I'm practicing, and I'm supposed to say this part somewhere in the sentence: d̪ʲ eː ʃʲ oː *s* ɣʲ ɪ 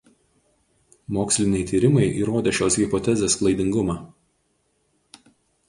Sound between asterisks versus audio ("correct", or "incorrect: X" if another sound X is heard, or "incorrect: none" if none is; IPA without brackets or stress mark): correct